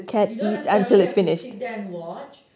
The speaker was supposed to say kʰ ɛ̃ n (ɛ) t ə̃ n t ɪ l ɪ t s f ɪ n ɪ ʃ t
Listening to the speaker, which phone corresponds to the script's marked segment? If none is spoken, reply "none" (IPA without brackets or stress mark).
i